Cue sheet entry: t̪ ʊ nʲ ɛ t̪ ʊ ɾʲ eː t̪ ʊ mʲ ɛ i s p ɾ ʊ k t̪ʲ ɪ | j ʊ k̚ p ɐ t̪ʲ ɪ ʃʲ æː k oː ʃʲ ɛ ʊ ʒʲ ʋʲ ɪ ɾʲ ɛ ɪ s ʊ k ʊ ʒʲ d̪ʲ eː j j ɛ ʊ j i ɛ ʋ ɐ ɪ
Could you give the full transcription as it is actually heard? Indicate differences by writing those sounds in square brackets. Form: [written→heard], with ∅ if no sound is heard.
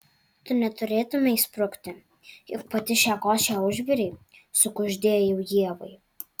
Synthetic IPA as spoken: t̪ ʊ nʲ ɛ t̪ ʊ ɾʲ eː t̪ ʊ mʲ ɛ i s p ɾ ʊ k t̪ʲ ɪ | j ʊ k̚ p ɐ t̪ʲ ɪ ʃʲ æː k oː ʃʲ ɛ ʊ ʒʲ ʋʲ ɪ ɾʲ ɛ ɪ s ʊ k ʊ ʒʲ d̪ʲ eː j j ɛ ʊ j i ɛ ʋ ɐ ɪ